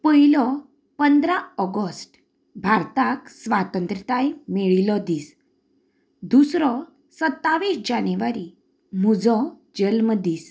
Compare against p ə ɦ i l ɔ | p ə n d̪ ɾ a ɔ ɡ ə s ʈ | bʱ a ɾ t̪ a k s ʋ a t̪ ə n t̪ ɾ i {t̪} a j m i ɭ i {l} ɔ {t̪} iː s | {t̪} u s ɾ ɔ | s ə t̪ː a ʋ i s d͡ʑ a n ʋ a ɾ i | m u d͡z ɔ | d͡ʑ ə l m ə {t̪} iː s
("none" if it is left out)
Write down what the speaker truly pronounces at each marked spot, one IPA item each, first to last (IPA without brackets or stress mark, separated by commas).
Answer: t̪, l, d̪, d̪, d̪